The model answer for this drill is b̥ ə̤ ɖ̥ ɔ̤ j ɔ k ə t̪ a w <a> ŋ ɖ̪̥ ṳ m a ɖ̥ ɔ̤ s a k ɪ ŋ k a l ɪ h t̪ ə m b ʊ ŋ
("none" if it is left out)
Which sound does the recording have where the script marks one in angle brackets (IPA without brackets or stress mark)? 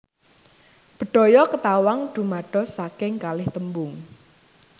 a